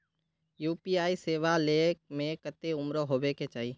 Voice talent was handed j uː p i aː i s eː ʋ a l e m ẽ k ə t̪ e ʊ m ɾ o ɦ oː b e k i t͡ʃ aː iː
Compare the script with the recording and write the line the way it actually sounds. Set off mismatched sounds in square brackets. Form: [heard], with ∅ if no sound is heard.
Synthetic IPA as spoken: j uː p i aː i s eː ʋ a l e m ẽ k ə t̪ e ʊ m ɾ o ɦ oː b e k [e] t͡ʃ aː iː